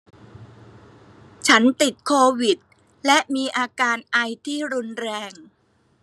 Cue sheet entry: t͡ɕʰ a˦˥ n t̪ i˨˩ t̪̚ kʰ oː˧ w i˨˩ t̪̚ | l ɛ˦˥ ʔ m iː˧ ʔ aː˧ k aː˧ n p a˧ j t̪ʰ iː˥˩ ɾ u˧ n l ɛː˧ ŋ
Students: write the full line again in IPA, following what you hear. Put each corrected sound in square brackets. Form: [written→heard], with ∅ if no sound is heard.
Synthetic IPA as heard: t͡ɕʰ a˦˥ n t̪ i˨˩ t̪̚ kʰ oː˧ w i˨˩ t̪̚ | l ɛ˦˥ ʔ m iː˧ ʔ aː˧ k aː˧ n [p→ʔ] a˧ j t̪ʰ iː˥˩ ɾ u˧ n [l→ɾ] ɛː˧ ŋ